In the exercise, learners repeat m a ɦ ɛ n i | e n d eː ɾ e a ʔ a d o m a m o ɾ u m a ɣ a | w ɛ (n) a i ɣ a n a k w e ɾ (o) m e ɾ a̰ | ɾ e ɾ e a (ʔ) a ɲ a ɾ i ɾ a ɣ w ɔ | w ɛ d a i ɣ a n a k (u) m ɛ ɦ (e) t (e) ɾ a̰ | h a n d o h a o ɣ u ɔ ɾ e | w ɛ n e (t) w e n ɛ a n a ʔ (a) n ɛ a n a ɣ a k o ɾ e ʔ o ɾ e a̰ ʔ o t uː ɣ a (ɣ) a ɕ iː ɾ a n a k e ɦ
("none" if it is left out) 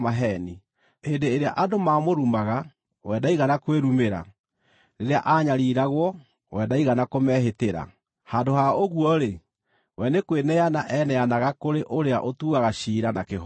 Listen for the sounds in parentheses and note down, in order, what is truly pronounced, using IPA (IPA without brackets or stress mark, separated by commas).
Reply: d, u, ʔ, o, e, e, k, ɛ, ɣ